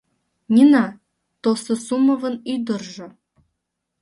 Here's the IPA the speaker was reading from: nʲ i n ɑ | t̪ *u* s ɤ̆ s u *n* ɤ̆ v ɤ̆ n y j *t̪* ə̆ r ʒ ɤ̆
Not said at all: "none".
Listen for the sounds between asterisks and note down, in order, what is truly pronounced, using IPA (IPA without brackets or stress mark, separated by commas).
o, m, d̪